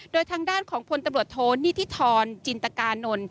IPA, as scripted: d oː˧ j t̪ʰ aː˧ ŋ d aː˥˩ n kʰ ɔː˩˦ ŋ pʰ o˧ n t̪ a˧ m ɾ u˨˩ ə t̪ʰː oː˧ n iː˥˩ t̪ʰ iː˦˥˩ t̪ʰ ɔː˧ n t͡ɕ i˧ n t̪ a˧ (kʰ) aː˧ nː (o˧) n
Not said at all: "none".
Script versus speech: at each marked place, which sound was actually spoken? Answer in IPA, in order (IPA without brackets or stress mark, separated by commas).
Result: k, o˧